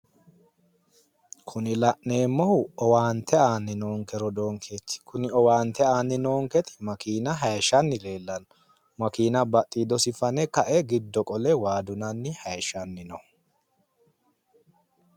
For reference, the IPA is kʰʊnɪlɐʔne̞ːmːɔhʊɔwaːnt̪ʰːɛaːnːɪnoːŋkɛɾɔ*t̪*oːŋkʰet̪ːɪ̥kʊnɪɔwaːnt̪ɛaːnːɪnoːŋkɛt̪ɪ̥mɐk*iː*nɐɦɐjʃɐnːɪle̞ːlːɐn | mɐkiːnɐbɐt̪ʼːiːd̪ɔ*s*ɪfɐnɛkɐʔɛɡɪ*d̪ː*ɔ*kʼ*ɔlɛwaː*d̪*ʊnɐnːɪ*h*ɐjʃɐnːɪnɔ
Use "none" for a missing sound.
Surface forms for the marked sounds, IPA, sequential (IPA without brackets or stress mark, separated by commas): d̪, iː, s, d̪ː, kʼ, d̪, h